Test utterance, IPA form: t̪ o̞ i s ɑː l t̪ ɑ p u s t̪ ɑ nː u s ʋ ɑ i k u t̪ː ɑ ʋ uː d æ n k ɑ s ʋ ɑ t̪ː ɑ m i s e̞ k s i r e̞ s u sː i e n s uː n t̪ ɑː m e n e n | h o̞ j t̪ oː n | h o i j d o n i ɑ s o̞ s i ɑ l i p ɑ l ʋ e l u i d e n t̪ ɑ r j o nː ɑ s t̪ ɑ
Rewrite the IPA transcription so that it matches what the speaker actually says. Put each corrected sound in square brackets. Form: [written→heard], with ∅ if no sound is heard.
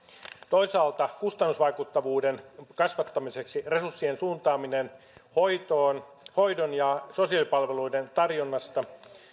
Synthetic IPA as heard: t̪ o̞ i s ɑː l t̪ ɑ [p→k] u s t̪ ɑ nː u s ʋ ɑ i k u t̪ː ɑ ʋ uː d [æ→e] n k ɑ s ʋ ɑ t̪ː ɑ m i s e̞ k s i r e̞ s u sː i e n s uː n t̪ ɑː m [e→i] n e n | h o̞ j t̪ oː n | h o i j d o n [i→j] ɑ s o̞ s i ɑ l i p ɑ l ʋ e l u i d e n t̪ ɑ r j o nː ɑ s t̪ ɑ